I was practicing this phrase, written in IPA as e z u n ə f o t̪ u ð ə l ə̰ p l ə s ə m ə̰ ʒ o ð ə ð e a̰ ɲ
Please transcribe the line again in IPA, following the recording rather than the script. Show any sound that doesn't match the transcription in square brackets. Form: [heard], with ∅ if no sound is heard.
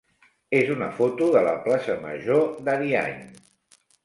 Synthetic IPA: e z u n ə f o t̪ u ð ə l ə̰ p l [a] s ə m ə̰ ʒ o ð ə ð [i] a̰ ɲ